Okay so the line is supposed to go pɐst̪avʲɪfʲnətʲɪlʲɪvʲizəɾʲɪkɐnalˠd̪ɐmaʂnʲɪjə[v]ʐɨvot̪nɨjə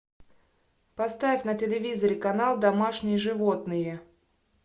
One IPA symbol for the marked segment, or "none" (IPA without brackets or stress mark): none